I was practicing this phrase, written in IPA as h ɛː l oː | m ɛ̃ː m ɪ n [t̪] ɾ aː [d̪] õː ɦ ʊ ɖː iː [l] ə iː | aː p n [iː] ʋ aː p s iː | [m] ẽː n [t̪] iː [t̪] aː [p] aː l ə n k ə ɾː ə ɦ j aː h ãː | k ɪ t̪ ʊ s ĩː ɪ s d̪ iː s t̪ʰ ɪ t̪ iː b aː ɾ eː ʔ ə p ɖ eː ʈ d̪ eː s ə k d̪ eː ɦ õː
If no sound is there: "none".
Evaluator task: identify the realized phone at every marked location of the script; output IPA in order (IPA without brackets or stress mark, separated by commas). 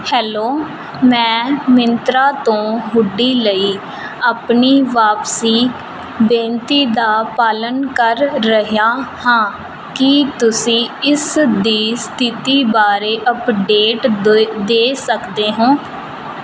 t̪, t̪, l, iː, b, t̪, d̪, p